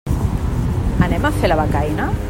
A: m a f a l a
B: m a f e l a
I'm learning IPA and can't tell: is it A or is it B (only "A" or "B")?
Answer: B